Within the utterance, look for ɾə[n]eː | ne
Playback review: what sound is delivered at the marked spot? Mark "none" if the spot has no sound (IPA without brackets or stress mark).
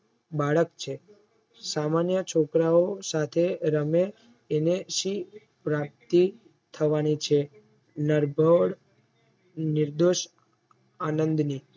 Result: m